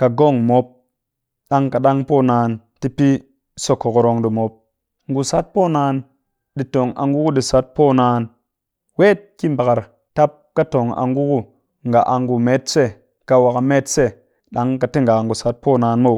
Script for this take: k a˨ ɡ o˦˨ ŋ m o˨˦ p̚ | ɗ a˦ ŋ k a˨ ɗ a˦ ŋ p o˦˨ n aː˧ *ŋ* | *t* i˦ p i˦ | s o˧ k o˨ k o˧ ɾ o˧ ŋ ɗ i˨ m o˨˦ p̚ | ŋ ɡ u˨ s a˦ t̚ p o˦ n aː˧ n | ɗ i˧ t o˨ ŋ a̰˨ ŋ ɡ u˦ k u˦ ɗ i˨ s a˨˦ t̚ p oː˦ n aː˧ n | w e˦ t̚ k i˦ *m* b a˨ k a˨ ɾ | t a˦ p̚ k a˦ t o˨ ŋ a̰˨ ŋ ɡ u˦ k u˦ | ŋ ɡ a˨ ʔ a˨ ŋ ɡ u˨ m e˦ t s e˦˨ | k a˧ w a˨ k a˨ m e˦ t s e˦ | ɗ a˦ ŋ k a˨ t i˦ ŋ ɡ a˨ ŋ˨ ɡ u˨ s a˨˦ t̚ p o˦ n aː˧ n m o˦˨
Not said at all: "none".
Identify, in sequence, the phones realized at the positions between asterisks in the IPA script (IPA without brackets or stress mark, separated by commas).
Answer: n, t, m